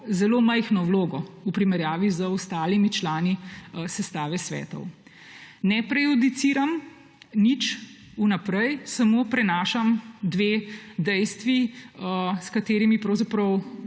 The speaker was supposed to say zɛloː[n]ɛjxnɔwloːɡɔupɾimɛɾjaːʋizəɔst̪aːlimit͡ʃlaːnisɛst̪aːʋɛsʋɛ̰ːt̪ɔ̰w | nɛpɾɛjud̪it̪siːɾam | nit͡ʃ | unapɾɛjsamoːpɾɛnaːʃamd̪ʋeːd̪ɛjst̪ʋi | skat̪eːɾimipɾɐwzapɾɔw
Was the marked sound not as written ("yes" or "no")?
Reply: yes